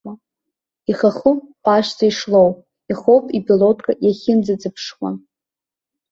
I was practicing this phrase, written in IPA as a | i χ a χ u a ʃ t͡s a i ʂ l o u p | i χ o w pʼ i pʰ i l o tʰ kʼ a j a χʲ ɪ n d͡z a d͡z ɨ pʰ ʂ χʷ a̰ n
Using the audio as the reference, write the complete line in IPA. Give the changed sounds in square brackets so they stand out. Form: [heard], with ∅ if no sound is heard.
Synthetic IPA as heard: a | i χ a χ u a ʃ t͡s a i ʂ l o [w] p | i χ o w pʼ i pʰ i l o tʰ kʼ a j a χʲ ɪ n d͡z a d͡z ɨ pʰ ʂ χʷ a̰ n